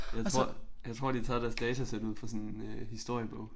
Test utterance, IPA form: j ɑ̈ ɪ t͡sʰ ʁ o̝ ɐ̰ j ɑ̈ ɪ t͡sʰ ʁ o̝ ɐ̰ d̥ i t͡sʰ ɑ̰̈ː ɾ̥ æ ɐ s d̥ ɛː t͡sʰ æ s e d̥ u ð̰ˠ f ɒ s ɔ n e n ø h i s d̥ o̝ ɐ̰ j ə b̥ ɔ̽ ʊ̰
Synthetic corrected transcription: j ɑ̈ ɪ t͡sʰ ʁ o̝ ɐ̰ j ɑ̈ ɪ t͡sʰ ʁ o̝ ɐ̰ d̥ i t͡sʰ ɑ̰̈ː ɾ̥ æ ɐ s d̥ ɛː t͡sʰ æ s e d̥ u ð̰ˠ f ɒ s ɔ n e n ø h i s d̥ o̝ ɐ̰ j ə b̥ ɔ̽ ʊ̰

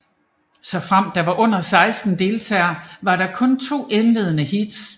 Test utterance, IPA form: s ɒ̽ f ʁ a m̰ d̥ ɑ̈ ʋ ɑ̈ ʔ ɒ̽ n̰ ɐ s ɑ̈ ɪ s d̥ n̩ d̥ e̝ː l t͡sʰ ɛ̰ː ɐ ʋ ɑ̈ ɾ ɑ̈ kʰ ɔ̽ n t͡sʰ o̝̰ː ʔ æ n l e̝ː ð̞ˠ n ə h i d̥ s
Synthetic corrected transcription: s ɒ̽ f ʁ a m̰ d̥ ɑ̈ ʋ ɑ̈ ʔ ɔ̽ n̰ ɐ s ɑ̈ ɪ s d̥ n̩ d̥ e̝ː l t͡sʰ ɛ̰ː ɐ ʋ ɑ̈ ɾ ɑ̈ kʰ ɔ̽ n t͡sʰ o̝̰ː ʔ e n l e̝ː ð̞ˠ n ə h i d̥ s

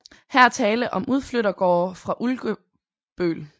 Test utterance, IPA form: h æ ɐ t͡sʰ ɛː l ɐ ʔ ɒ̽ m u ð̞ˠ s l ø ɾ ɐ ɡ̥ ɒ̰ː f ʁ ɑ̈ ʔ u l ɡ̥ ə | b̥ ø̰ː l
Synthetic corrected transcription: h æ ɐ t͡sʰ ɛː l ə ʔ ɒ̽ m u ð̞ˠ f l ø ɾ ɐ ɡ̥ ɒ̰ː f ʁ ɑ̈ ʔ u l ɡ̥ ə | b̥ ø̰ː l

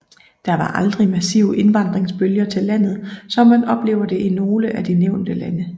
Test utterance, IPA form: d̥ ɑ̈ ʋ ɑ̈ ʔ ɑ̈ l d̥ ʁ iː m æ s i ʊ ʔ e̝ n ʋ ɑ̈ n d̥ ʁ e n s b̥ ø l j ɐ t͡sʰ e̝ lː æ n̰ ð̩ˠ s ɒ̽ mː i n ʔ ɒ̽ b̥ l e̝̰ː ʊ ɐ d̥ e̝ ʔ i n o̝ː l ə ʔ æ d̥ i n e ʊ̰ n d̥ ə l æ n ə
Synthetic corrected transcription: d̥ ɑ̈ ʋ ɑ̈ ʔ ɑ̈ l d̥ ʁ i m æ s i ʊ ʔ e̝ n ʋ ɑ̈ n d̥ ʁ e ŋ s b̥ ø l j ɐ t͡sʰ e̝ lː æ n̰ ð̩ˠ s ɒ̽ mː æ n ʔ ɒ̽ b̥ l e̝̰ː ʊ ɐ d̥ e̝ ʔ i n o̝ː l ə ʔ æ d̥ i n e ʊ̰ n d̥ ə l æ n ə

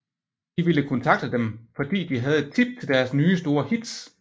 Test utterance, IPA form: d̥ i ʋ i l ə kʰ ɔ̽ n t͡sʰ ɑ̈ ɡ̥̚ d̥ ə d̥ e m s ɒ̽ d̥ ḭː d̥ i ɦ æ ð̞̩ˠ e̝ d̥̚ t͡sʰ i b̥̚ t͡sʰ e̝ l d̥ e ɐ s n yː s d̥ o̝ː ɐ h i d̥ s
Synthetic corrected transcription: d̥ i ʋ i l ə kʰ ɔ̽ n t͡sʰ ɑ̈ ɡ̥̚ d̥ ə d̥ e m f ɒ̽ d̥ ḭː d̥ i ɦ æ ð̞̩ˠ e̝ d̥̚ t͡sʰ i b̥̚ t͡sʰ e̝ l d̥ æ ɐ s n yː s d̥ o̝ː ɐ h i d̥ s

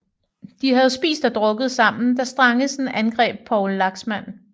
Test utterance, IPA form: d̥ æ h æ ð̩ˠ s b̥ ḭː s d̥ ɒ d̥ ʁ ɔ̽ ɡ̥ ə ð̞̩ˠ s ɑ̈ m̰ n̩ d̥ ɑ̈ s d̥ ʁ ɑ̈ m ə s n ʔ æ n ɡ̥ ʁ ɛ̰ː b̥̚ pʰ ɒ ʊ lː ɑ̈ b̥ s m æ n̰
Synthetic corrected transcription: d̥ i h æ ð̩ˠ s b̥ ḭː s d̥ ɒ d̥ ʁ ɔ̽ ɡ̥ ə ð̞̩ˠ s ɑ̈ m̰ n̩ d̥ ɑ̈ s d̥ ʁ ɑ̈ ŋ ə s n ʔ æ n ɡ̥ ʁ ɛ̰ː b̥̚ pʰ ɒ ʊ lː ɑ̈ ɡ̥ s m æ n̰

